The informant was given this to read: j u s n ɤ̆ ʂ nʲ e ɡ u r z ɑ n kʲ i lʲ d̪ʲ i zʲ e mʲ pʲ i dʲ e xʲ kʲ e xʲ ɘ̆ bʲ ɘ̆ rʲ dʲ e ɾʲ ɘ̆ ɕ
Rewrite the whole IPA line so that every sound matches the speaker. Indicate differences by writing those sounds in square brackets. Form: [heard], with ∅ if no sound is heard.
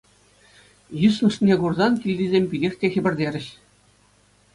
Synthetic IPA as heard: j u s n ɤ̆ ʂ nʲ e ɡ u r z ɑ n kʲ i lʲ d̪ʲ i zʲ e mʲ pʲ i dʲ e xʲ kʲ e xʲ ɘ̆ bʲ ɘ̆ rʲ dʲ e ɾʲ ɘ̆ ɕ

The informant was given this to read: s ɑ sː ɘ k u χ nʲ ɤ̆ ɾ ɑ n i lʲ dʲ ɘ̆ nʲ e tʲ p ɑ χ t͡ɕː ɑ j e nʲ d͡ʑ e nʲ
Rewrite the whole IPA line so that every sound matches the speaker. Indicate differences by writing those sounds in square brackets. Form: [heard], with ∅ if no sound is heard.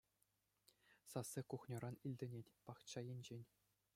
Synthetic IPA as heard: s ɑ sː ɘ k u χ nʲ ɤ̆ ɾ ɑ n i lʲ dʲ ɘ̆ nʲ e tʲ p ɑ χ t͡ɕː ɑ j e nʲ d͡ʑ e nʲ

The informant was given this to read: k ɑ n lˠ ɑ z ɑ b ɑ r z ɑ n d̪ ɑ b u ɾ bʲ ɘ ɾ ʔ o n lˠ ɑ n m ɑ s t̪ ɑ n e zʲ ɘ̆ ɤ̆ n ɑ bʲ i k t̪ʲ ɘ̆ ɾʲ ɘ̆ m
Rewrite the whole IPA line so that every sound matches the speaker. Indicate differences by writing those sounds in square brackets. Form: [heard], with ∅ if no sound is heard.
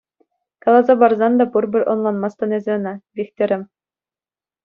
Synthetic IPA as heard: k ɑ [∅] lˠ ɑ z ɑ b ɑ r z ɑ n d̪ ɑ b u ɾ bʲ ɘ ɾ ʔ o n lˠ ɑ n m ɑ s t̪ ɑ n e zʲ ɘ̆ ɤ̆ n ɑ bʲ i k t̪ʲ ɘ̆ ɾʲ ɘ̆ m

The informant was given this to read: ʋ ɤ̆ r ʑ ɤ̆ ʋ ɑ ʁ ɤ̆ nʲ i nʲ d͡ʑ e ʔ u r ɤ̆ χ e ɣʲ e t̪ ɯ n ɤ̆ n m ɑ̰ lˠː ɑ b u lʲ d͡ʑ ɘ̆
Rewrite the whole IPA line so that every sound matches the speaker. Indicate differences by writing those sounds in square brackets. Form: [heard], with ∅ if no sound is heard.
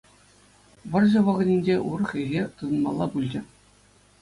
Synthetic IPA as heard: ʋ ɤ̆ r ʑ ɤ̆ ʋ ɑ ʁ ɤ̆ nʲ i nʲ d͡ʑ e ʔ u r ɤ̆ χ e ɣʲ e t̪ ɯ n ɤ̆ n m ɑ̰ lˠː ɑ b u lʲ d͡ʑ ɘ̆

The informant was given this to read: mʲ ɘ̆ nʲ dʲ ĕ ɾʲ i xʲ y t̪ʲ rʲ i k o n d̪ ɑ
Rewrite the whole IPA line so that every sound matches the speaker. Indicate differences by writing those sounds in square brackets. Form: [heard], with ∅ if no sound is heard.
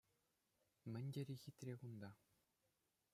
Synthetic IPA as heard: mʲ ɘ̆ nʲ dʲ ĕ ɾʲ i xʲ [i] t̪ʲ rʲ [e] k [u] n d̪ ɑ

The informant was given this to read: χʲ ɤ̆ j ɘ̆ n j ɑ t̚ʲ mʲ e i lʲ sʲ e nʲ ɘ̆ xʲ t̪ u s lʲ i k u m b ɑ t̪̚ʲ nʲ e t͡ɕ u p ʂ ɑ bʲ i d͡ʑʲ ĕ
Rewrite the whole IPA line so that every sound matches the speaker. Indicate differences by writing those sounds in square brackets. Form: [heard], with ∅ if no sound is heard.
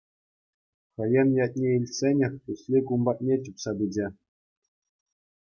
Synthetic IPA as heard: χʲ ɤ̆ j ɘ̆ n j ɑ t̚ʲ [nʲ] e i lʲ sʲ e nʲ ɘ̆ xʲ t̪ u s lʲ i k u m b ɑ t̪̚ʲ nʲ e t͡ɕ u p [s] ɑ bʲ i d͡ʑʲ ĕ

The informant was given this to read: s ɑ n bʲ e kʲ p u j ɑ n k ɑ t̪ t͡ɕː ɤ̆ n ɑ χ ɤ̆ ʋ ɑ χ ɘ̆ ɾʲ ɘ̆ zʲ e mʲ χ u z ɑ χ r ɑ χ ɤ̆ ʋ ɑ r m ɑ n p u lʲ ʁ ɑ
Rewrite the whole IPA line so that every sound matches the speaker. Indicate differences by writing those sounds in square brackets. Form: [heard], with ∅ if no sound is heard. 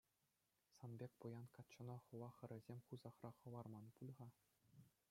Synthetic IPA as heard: s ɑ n bʲ e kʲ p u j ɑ n k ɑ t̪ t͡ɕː ɤ̆ n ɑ χ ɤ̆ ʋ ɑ χ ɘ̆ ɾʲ ɘ̆ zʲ e mʲ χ u z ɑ χ r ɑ χ ɤ̆ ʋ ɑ r m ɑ n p u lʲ ʁ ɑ

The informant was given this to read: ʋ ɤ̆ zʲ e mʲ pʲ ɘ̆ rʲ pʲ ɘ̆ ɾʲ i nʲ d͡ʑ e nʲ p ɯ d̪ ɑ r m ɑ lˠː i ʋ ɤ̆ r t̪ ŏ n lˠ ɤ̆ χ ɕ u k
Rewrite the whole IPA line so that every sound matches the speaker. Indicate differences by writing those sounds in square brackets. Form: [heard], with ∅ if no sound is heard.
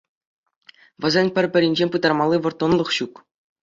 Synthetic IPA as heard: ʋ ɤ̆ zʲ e [nʲ] pʲ ɘ̆ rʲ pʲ ɘ̆ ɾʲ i nʲ d͡ʑ e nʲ p ɯ d̪ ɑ r m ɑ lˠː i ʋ ɤ̆ r t̪ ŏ n lˠ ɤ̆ χ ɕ u k

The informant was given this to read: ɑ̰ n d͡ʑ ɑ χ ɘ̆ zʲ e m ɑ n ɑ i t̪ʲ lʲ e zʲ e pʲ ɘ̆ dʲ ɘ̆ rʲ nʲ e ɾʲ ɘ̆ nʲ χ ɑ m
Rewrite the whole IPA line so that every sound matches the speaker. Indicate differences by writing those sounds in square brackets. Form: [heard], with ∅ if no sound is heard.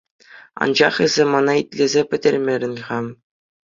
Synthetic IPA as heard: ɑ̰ n d͡ʑ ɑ χ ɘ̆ zʲ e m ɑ n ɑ i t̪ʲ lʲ e zʲ e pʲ ɘ̆ dʲ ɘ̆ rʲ [mʲ] e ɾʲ ɘ̆ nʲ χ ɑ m

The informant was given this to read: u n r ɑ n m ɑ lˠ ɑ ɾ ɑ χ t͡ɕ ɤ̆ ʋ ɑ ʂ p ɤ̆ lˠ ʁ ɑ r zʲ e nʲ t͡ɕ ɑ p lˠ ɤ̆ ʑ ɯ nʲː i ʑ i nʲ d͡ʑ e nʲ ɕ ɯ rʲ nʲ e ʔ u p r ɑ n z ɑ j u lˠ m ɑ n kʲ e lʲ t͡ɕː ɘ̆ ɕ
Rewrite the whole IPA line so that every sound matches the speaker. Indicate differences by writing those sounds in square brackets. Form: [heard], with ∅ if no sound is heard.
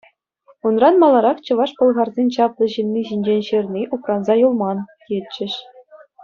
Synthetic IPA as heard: u n r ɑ n m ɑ lˠ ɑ ɾ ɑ χ t͡ɕ ɤ̆ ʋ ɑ ʂ p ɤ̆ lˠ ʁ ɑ r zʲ e nʲ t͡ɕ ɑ p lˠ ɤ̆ ʑ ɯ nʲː i ʑ i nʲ d͡ʑ e nʲ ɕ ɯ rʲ nʲ [i] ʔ u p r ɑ n z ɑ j u lˠ m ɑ n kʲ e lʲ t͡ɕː ɘ̆ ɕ

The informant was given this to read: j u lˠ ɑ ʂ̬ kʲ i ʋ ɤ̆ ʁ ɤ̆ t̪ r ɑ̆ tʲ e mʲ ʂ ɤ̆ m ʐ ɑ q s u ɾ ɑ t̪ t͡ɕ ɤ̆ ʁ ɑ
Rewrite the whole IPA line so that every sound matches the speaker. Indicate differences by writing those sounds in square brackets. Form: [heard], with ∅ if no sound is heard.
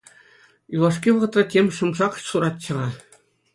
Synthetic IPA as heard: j u lˠ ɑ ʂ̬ kʲ i ʋ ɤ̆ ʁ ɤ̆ t̪ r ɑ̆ tʲ e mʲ ʂ ɤ̆ m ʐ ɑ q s u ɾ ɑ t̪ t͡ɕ ɤ̆ ʁ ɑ

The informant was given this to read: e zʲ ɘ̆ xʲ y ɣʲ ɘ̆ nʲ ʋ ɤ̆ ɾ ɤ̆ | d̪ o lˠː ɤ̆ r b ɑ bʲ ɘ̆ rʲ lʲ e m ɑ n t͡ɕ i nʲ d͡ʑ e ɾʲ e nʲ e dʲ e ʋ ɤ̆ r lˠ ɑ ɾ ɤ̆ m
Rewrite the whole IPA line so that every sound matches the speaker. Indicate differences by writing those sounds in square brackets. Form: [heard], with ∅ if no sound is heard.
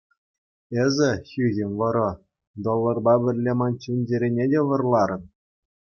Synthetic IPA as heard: e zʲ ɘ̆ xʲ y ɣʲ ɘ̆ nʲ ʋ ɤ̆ ɾ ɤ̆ | d̪ o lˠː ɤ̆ r b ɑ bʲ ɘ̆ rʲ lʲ e m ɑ n t͡ɕ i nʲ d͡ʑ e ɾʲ e nʲ e dʲ e ʋ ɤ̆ r lˠ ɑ ɾ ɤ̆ [n]

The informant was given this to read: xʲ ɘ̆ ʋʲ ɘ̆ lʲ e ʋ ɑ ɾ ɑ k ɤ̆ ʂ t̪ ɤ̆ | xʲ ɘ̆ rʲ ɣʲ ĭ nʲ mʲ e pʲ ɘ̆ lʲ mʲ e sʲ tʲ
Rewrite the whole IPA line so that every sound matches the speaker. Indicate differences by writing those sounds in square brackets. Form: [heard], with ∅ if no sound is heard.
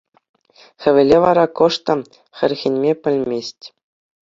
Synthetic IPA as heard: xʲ ɘ̆ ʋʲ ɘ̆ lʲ e ʋ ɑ ɾ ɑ k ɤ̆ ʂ t̪ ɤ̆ | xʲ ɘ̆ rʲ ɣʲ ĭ nʲ mʲ e pʲ ɘ̆ lʲ mʲ e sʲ tʲ

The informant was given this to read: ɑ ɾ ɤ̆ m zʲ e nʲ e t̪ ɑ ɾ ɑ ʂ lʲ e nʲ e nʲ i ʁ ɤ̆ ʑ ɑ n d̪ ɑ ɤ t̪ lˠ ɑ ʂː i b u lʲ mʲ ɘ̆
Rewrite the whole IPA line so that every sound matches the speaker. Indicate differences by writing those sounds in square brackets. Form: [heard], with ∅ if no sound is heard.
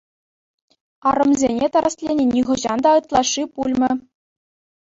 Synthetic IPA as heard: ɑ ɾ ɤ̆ m zʲ e nʲ e t̪ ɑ ɾ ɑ [s] lʲ e nʲ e nʲ i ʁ ɤ̆ ʑ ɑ n d̪ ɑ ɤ t̪ lˠ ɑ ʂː i [p] u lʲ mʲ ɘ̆

